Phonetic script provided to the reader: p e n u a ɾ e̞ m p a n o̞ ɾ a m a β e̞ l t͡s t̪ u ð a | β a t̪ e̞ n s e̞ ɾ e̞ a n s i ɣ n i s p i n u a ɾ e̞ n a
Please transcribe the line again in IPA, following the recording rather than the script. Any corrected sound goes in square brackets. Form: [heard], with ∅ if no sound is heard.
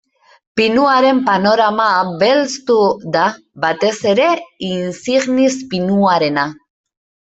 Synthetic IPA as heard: p [i] n u a ɾ e̞ m p a n o̞ ɾ a m a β e̞ l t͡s t̪ u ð a | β a t̪ e̞ [∅] s e̞ ɾ e̞ [i] n s i ɣ n i s p i n u a ɾ e̞ n a